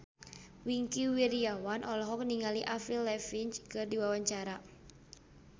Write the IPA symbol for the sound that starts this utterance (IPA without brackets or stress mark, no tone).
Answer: w